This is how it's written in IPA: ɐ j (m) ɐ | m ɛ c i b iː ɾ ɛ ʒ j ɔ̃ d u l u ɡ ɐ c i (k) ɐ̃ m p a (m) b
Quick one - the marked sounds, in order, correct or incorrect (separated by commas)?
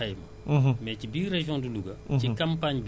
correct, correct, incorrect